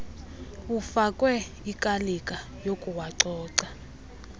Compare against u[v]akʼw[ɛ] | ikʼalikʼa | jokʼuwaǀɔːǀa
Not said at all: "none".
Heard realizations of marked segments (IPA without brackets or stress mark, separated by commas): f, ɛ